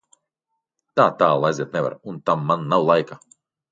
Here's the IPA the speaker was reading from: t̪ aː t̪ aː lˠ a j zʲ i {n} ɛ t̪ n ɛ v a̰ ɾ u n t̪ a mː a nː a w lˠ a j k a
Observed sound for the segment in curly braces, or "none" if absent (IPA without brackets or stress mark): none